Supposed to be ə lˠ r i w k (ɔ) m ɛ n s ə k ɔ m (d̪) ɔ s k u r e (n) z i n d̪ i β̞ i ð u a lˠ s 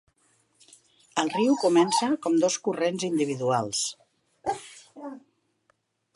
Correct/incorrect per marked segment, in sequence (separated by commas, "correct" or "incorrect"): incorrect, correct, correct